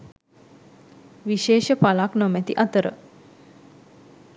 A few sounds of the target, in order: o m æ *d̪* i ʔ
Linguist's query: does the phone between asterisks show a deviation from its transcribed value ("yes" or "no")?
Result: yes